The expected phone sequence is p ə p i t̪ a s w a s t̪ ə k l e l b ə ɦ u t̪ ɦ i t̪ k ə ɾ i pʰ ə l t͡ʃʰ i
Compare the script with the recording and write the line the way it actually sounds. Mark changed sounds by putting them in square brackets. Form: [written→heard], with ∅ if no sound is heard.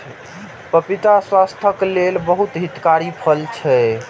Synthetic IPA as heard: p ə p i t̪ a s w a s [t̪→t̪ʰ] ə k l e l b ə ɦ u t̪ ɦ i t̪ k [ə→a] ɾ i pʰ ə l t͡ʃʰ [i→ɛ]